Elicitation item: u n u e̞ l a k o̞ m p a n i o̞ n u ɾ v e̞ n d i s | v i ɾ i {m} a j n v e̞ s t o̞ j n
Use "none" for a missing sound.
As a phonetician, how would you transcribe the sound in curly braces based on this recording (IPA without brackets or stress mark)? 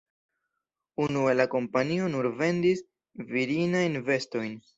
n